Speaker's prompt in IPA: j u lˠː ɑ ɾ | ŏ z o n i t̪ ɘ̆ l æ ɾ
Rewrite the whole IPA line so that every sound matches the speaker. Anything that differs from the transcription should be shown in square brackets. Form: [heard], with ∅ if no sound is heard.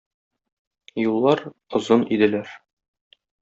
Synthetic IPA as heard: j u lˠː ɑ ɾ | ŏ z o n i [d̪] ɘ̆ l æ ɾ